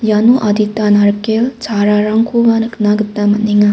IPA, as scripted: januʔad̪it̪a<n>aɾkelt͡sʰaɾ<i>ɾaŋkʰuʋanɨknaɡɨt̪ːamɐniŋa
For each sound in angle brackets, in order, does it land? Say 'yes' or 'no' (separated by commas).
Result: yes, no